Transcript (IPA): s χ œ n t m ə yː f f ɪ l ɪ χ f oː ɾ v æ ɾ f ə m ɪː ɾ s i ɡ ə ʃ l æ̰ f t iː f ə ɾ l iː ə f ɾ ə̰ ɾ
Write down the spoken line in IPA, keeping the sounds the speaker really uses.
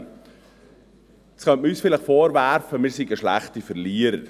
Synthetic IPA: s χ œ n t m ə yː s f ɪ l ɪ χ f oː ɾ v æ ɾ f ə m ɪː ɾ s i ɡ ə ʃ l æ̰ χ t i f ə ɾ l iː ə ɾ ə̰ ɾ